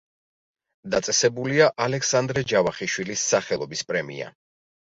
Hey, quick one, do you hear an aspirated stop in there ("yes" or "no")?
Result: no